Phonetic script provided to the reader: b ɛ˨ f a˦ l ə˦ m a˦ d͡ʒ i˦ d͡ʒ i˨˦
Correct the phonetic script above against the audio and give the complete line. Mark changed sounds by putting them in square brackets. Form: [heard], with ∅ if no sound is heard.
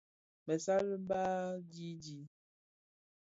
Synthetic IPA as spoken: [m] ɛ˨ [s] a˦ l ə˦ [b] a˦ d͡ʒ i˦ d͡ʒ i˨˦